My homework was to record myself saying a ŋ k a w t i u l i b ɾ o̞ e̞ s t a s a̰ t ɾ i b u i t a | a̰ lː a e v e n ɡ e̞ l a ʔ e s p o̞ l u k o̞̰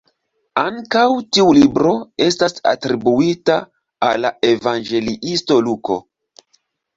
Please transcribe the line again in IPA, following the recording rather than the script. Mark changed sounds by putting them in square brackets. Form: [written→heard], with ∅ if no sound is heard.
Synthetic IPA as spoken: a ŋ k a w t i u l i b ɾ o̞ e̞ s t a s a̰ t ɾ i b u i t a | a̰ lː a e v [e→a] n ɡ e̞ l [a→i] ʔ [e→i] s [p→t] o̞ l u k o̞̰